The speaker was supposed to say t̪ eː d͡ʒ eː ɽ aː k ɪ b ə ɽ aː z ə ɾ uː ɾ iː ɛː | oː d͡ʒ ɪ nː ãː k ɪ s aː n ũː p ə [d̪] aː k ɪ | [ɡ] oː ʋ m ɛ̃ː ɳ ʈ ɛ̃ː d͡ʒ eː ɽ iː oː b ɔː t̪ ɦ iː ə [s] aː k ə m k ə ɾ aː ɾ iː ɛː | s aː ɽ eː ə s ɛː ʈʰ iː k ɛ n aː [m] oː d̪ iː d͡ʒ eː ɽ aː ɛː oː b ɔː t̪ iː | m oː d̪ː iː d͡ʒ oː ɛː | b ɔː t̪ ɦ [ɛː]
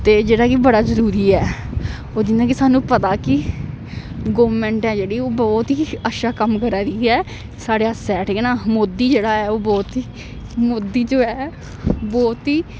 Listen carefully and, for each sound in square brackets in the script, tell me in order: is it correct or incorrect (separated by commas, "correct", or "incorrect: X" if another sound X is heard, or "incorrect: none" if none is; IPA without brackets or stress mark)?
incorrect: t̪, correct, incorrect: ʃ, correct, incorrect: iː